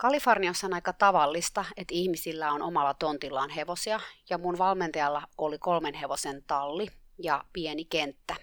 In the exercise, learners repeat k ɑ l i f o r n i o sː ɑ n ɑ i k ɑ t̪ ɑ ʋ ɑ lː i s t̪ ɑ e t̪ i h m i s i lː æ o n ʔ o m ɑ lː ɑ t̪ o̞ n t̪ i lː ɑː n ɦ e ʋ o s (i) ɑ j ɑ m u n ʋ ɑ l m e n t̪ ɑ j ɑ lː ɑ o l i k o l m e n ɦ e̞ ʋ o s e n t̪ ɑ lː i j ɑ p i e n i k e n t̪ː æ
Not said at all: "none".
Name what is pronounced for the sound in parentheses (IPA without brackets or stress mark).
i